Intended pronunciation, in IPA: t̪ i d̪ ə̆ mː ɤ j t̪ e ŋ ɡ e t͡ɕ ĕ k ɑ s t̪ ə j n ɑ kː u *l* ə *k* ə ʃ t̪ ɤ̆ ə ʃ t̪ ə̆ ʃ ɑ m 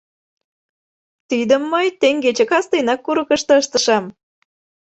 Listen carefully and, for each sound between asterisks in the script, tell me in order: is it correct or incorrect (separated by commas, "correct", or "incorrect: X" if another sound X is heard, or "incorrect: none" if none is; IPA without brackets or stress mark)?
incorrect: ɾ, correct